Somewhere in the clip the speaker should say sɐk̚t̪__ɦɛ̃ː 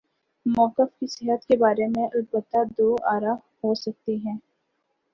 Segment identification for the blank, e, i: i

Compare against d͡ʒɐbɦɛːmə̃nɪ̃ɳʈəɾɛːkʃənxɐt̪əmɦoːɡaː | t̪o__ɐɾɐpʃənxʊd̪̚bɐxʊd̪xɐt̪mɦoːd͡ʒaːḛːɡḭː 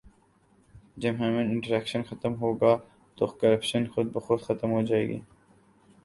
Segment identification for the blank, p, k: k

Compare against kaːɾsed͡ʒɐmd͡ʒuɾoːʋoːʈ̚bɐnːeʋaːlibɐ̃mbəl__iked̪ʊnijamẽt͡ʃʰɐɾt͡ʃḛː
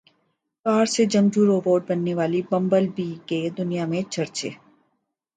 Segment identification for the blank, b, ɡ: b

